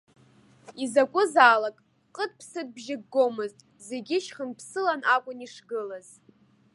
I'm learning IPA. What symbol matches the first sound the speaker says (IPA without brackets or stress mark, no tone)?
i